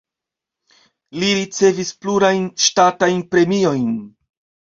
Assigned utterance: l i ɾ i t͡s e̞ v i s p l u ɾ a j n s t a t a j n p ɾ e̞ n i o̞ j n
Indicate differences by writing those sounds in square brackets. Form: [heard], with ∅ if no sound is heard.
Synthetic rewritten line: l i ɾ i t͡s e̞ v i s p l u ɾ a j n [ʃ] t a t a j n p ɾ e̞ [m] i o̞ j n